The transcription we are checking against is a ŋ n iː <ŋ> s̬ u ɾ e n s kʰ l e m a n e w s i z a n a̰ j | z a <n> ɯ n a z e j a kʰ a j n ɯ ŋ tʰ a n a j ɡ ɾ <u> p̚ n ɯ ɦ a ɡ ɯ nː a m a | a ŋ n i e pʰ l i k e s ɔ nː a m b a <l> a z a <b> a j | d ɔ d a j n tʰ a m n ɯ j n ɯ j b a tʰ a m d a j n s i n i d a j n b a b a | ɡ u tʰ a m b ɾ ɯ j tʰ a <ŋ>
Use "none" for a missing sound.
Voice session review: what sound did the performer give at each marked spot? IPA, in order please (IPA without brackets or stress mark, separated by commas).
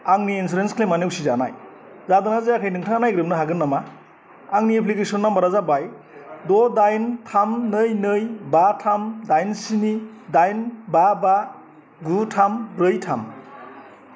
n, d, ɯ, ɾ, b, m